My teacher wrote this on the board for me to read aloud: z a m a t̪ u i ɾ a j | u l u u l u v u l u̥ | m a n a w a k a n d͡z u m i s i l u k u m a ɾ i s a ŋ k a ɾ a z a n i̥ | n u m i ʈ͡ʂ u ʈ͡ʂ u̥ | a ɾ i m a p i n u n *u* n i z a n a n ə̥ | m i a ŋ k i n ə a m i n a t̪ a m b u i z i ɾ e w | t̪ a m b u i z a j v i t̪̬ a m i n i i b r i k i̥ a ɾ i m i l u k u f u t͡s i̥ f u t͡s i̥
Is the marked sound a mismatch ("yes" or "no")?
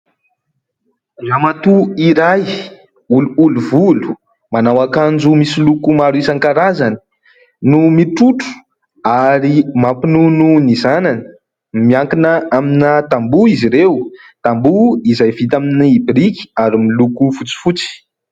no